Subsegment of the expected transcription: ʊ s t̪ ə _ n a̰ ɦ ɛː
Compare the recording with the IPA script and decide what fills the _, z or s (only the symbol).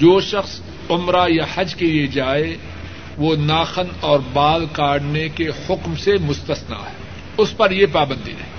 s